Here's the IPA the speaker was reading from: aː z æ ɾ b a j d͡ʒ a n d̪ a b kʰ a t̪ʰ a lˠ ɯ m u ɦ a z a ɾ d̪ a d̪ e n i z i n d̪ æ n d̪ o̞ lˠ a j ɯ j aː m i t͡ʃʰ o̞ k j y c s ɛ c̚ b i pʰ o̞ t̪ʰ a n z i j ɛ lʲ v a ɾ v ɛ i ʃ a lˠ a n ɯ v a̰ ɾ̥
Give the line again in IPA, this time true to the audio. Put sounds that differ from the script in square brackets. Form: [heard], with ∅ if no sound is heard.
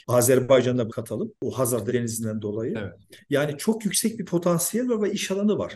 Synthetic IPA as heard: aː z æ ɾ b a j d͡ʒ a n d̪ a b kʰ a t̪ʰ a lˠ ɯ m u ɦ a z a ɾ d̪ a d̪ e n i z i n d̪ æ n d̪ o̞ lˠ a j ɯ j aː [n] i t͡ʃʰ o̞ k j y c s ɛ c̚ b i pʰ o̞ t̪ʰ a n [s] i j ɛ lʲ v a ɾ v ɛ i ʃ a lˠ a n ɯ v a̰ ɾ̥